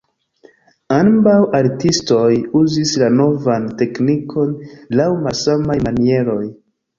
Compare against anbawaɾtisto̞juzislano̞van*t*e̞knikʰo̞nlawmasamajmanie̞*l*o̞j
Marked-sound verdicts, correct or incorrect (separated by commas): correct, incorrect